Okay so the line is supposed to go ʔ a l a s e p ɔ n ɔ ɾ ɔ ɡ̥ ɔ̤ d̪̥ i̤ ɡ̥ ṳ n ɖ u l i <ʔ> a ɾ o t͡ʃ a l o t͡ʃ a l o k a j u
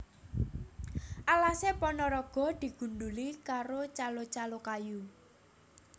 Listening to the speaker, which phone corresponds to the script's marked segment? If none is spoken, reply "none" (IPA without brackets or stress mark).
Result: k